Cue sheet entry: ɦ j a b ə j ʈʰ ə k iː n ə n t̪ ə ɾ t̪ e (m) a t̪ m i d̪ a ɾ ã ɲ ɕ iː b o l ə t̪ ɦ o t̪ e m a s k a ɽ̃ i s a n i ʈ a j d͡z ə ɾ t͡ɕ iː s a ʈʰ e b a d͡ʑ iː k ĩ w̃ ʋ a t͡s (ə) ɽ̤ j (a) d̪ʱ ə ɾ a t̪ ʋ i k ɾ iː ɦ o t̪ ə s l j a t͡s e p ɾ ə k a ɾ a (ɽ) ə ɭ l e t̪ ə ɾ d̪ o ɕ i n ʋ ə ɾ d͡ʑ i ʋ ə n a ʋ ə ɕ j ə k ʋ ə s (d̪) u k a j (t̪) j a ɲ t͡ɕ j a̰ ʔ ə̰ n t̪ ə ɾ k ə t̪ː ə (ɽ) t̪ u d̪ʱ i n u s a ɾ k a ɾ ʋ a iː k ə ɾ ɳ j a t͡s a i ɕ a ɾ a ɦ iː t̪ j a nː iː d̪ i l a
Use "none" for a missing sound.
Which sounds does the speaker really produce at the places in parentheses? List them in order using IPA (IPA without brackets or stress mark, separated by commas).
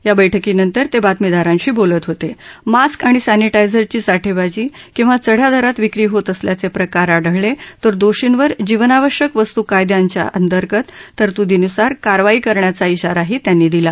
b, ə, a, ɽ, t̪, d̪, ɾ